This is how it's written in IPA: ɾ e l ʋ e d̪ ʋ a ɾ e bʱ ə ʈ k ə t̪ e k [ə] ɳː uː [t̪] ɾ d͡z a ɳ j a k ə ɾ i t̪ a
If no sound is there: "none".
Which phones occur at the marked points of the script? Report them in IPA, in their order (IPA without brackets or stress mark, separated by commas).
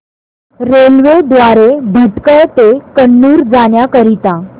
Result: ə, none